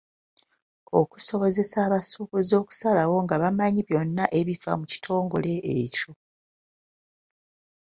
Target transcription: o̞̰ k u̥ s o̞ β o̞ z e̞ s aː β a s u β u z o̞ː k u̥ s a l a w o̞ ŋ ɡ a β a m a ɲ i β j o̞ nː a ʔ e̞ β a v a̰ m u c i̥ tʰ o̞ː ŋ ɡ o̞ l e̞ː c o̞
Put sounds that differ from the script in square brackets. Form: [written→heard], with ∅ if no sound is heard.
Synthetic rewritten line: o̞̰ k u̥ s o̞ β o̞ z e̞ s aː β a s u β u z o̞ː k u̥ s a l a w o̞ ŋ ɡ a β a m a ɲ i β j o̞ nː a ʔ e̞ β [a→i] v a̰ m u c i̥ tʰ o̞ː ŋ ɡ o̞ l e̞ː c o̞